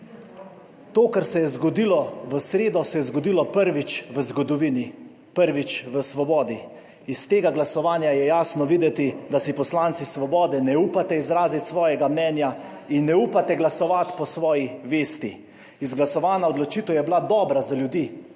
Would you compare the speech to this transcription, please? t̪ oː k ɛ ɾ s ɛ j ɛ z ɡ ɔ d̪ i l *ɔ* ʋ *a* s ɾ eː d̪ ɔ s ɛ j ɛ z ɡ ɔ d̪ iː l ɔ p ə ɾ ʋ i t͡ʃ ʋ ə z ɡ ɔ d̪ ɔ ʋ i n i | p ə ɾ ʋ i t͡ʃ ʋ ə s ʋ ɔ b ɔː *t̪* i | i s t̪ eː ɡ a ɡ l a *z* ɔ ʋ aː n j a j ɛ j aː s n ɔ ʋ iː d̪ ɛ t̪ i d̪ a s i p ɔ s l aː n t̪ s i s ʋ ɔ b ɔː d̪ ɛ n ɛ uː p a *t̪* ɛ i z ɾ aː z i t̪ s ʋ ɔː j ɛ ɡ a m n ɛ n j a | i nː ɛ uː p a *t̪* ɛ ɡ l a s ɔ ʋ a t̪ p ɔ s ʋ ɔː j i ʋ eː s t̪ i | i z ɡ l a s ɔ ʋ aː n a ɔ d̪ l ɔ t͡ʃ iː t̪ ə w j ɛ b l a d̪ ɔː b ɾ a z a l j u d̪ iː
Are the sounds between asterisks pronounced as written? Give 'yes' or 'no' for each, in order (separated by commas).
yes, no, no, no, yes, yes